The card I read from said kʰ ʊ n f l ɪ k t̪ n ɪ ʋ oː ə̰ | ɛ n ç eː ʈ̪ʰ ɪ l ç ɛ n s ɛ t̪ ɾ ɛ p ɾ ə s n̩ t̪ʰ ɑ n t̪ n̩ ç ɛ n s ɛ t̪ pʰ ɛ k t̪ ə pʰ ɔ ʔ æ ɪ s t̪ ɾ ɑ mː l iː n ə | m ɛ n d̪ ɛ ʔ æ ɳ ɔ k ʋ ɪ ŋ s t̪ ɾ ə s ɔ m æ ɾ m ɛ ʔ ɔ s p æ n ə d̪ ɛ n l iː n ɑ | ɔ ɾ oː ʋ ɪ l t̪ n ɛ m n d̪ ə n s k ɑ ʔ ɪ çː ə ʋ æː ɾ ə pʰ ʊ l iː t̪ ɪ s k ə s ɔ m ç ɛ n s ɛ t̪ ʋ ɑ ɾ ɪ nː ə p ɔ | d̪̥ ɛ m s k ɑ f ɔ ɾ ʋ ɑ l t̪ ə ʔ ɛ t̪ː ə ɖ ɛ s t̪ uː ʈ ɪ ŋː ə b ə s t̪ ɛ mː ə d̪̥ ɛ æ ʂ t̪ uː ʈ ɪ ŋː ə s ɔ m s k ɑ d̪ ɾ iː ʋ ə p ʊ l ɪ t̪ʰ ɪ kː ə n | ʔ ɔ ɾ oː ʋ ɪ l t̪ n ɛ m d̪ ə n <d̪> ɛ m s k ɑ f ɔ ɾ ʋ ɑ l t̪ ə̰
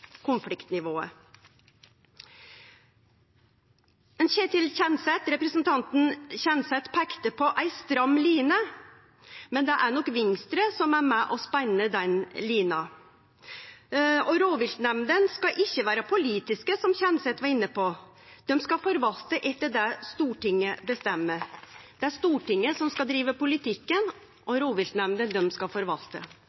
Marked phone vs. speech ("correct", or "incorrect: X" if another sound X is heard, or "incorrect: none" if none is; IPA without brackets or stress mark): correct